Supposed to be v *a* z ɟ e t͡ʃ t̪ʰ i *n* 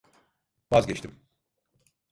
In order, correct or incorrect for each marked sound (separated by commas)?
correct, incorrect